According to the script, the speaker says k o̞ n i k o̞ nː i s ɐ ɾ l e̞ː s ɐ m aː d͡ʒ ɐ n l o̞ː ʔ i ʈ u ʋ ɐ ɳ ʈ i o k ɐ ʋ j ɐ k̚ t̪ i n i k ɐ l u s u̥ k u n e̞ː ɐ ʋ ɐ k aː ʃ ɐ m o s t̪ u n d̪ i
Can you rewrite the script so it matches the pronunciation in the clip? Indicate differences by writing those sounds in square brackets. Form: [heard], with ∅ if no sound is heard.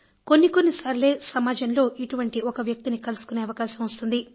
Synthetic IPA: k o̞ [nː] i k o̞ nː i s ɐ ɾ l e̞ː s ɐ m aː d͡ʒ ɐ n l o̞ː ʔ i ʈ u ʋ ɐ ɳ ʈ i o k ɐ ʋ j ɐ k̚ t̪ i n i k ɐ l u s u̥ k u n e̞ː ɐ ʋ ɐ k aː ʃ ɐ m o s t̪ u n d̪ i